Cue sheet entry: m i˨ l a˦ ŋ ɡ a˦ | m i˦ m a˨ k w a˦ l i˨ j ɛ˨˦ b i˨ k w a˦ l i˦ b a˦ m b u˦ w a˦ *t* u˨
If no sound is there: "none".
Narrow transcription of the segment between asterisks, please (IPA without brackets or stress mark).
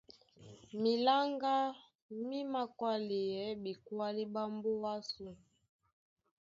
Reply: s